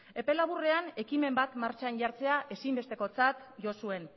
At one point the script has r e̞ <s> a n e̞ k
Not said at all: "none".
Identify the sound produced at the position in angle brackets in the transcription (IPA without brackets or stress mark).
none